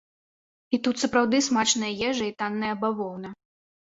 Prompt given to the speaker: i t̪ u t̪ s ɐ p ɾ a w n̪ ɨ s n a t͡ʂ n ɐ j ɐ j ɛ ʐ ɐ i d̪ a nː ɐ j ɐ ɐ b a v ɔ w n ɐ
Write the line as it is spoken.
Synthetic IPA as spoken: i t̪ u t̪ s ɐ p ɾ a w d̪ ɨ s m a t͡ʂ n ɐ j ɐ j ɛ ʐ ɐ i t̪ a nː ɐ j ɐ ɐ b a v ɔ w n ɐ